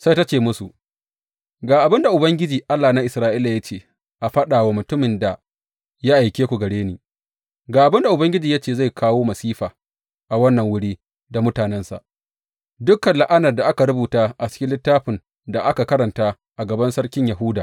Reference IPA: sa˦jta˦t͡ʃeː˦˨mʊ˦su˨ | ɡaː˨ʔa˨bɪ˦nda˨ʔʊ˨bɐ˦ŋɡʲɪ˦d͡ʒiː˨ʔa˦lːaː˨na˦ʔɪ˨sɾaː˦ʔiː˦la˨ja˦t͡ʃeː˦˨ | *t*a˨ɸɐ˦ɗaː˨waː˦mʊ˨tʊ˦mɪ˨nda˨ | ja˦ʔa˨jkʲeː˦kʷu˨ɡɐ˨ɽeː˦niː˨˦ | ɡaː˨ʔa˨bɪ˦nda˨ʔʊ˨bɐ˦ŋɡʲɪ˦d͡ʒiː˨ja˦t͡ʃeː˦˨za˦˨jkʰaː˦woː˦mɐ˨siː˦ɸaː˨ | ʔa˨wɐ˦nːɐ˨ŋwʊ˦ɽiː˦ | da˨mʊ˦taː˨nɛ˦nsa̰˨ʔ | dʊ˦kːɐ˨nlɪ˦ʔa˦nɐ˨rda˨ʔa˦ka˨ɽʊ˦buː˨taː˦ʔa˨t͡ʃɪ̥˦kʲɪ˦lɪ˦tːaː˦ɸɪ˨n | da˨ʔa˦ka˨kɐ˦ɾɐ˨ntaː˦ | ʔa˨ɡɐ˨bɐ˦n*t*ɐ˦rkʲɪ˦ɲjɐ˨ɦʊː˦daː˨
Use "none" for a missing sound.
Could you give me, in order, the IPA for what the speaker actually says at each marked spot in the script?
ʔ, s

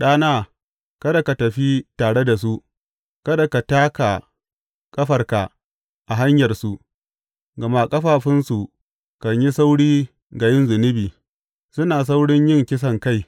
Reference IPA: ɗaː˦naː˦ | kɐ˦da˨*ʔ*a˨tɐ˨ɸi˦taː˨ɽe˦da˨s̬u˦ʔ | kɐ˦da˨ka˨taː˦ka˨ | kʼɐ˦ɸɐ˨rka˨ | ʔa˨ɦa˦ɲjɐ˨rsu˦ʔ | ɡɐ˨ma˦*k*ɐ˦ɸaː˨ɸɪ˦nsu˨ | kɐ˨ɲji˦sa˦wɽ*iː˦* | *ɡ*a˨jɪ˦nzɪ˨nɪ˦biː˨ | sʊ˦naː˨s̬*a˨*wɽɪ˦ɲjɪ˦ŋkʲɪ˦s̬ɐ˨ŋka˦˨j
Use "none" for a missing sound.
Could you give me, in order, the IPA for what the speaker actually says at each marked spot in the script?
k, kʼ, iː˦, ɡ, a˦

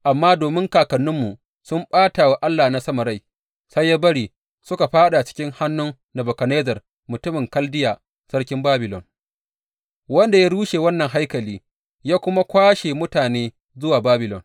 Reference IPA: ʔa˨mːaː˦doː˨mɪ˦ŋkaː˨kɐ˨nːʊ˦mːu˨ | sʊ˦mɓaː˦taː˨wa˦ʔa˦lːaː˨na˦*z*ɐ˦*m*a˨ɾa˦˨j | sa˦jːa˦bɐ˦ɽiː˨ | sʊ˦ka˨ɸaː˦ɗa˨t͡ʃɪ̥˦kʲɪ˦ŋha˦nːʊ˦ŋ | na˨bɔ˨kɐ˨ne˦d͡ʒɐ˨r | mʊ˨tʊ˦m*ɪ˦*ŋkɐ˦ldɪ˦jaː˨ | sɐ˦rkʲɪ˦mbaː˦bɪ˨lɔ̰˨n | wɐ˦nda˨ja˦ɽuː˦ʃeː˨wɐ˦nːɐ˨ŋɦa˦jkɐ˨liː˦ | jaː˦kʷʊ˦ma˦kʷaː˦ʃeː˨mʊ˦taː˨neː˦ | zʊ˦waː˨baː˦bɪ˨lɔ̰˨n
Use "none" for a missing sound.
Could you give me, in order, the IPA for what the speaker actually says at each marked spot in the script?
s, m, ɪ˨

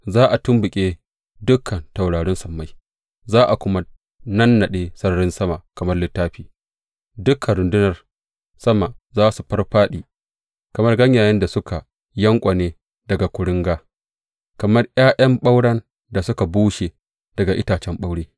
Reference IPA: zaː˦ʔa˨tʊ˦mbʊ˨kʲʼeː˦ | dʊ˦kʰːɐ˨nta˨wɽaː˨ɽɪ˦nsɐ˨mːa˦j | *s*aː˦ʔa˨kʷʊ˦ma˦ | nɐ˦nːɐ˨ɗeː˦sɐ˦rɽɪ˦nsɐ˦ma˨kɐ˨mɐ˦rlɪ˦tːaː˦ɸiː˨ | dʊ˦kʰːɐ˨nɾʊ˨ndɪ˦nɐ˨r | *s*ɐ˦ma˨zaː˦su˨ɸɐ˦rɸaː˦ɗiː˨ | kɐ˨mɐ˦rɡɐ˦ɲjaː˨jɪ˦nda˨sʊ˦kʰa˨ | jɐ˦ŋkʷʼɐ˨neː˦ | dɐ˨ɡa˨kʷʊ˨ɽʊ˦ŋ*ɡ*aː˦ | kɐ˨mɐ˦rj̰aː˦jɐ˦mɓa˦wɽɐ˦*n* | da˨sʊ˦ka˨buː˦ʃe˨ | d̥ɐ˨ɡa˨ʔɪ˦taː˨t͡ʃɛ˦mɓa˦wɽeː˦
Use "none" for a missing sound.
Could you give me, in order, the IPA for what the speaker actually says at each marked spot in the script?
z, s, ɡ, n

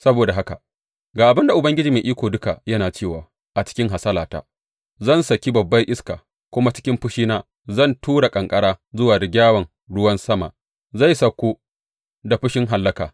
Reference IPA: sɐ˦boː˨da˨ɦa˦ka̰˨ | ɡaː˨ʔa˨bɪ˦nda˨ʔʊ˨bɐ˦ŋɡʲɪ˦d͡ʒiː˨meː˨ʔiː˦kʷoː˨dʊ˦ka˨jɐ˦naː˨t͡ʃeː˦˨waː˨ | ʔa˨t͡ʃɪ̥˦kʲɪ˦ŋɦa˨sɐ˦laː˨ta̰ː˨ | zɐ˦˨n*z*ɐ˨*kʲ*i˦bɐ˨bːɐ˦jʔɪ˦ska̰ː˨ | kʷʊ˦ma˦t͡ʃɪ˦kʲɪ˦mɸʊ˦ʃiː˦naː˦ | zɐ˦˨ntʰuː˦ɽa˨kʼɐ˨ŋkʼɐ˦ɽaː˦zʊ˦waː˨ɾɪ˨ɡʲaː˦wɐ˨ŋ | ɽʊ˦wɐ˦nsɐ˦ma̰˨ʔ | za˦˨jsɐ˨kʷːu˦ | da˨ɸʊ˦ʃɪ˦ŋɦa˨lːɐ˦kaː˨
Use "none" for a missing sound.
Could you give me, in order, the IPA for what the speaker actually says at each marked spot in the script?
s, kʲ

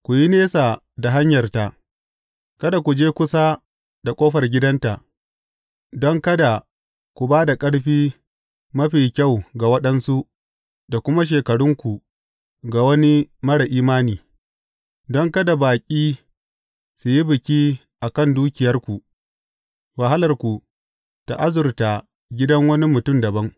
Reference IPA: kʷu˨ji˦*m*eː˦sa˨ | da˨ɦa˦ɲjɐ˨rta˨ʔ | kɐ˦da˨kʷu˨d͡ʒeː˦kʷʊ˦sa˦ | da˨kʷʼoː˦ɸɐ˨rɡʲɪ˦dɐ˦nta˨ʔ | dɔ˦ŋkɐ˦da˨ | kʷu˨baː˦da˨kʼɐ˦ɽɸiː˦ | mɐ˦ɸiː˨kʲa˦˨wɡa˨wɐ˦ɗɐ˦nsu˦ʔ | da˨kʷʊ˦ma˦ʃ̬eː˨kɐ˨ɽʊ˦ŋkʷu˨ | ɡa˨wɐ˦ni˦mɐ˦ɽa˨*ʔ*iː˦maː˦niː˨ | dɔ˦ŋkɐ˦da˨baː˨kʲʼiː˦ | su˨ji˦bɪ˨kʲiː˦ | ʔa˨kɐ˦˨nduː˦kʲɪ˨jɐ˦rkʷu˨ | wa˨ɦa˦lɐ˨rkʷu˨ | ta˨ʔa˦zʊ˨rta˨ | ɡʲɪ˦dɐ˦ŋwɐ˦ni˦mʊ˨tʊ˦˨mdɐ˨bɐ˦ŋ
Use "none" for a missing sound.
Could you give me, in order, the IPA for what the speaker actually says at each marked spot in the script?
n, ʔ

